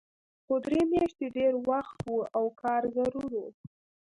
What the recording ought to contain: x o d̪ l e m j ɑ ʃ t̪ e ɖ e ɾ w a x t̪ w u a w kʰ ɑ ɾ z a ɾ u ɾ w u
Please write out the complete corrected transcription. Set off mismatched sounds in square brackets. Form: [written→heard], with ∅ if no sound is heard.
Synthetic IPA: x o d̪ [l→ɾ] e m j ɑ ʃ t̪ e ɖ e ɾ w a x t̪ w u a w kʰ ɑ ɾ z a ɾ u ɾ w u

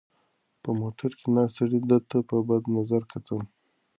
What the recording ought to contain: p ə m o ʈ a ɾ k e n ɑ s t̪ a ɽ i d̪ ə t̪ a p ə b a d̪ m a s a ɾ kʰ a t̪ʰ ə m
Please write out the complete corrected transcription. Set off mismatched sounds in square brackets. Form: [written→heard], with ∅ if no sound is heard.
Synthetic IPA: p ə m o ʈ a ɾ k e n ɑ s t̪ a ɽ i d̪ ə t̪ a p ə b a d̪ [m→n] a [s→z] a ɾ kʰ a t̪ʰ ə m

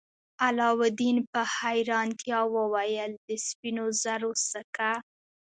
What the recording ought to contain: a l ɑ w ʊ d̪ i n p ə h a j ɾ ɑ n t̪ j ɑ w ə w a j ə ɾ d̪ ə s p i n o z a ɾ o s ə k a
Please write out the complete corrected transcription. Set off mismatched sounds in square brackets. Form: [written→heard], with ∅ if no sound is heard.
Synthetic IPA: a l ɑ w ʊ d̪ i n p ə h a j ɾ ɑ n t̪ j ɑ w ə w a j ə [ɾ→l] d̪ ə s p i n o z a ɾ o s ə k a

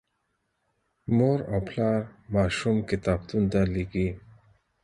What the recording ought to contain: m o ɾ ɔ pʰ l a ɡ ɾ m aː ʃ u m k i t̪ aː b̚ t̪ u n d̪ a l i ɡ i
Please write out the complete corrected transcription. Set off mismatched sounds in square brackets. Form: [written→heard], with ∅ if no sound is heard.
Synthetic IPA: m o ɾ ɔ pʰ l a [ɡ→∅] ɾ m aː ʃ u m k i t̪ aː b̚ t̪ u n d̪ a l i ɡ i

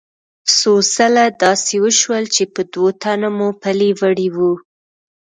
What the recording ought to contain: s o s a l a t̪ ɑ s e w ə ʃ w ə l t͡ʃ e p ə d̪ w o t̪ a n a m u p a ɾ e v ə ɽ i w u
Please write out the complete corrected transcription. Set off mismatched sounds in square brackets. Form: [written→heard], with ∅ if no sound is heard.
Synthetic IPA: s o s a l a [t̪→d̪] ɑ s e w ə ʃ w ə l t͡ʃ e p ə d̪ w o t̪ a n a m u p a [ɾ→l] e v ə ɽ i w u

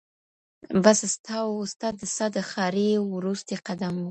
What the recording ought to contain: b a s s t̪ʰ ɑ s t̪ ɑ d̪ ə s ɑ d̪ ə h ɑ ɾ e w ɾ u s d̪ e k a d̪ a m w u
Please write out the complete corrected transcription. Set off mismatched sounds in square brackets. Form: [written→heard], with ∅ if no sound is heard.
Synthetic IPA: b a s s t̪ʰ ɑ s t̪ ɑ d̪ ə s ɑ d̪ ə [h→x] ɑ ɾ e w ɾ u s [d̪→t̪] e [k→q] a d̪ a m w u

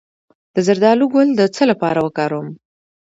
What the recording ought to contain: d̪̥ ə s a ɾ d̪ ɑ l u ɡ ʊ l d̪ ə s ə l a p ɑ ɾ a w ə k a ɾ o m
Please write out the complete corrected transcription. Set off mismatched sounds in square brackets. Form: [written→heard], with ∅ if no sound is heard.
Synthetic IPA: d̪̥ ə [s→z] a ɾ d̪ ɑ l u ɡ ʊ l d̪ ə [s→t͡s] ə l a p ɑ ɾ a w ə k [a→ɑ] ɾ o m

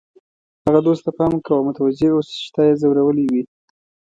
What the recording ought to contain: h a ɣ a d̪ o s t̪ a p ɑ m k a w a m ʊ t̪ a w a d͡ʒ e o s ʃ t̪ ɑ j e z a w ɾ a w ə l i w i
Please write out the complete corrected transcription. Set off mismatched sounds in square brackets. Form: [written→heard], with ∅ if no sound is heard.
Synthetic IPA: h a ɣ a d̪ o s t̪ a p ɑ m k a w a m ʊ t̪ a w a d͡ʒ e o s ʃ t̪ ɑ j e z a w ɾ a w ə l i w i

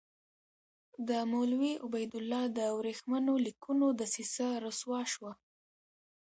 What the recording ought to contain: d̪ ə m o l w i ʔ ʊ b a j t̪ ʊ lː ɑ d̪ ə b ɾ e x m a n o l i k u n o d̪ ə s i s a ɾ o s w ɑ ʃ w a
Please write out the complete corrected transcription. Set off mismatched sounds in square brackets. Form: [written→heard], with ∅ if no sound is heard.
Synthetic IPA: d̪ ə m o l w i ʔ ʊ b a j [t̪→d̪] ʊ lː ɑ d̪ ə [b→w] ɾ e x m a n o l i k u n o d̪ ə s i s a ɾ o s w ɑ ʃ w a

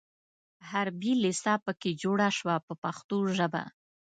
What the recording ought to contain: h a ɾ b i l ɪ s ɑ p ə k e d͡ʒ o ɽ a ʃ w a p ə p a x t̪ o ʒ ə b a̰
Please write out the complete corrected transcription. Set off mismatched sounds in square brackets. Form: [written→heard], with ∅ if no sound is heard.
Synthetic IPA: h a ɾ b i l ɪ s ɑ p ə k e d͡ʒ o ɽ a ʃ w a p ə p a x t̪ o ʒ ə b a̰

